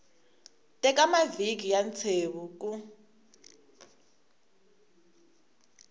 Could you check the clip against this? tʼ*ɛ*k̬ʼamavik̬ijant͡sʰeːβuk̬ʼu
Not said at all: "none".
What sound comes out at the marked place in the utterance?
ɛ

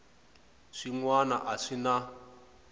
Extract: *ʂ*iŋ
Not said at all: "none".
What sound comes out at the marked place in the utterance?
ʂ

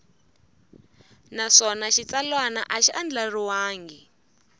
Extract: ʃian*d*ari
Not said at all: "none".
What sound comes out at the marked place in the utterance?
d͡ɮ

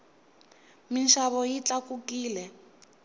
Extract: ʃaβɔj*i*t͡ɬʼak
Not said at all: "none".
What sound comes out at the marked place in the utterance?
i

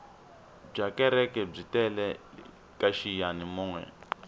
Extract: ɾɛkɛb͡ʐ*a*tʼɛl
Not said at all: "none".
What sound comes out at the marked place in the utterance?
i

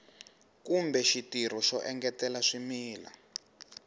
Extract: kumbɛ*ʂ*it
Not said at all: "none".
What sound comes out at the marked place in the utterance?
ʃ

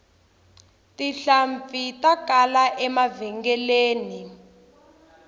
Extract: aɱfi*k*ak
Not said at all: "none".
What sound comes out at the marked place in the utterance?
t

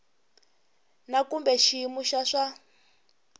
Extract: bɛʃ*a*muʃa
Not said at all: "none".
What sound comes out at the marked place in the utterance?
i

